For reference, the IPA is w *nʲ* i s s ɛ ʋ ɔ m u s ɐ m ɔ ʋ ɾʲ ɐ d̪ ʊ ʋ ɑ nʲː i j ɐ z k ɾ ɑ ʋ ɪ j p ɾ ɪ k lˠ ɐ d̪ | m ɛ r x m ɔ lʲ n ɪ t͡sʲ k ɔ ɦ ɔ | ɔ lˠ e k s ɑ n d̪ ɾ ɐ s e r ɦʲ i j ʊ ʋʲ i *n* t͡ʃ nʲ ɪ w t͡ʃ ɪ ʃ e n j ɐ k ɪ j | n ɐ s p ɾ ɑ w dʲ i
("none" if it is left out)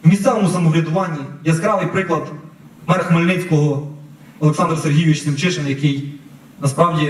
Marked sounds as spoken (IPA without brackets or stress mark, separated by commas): mʲ, none